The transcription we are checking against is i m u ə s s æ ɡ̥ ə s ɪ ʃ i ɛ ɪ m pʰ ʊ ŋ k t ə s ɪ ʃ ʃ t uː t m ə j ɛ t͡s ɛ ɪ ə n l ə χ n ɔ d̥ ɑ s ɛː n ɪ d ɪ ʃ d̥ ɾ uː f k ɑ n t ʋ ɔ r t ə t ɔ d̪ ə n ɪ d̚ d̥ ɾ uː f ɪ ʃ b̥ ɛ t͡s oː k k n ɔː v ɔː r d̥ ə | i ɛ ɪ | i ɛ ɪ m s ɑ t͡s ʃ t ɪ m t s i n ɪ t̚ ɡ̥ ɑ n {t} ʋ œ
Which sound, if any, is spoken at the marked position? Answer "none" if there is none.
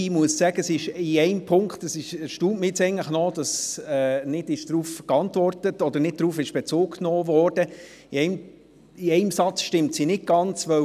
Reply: t͡s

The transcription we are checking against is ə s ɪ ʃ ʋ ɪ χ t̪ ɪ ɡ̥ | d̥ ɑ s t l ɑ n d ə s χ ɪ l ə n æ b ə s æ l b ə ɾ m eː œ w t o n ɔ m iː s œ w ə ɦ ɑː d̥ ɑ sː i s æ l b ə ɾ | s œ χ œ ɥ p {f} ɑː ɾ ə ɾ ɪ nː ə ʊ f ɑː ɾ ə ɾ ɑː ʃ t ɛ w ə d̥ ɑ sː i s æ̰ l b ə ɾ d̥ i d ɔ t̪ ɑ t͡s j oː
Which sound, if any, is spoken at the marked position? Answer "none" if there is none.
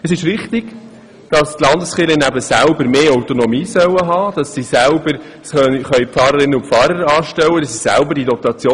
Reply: f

